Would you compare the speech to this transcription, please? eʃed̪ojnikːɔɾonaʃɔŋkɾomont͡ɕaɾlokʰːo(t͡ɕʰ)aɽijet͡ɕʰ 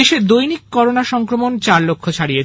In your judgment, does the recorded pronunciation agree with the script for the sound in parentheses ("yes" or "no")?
yes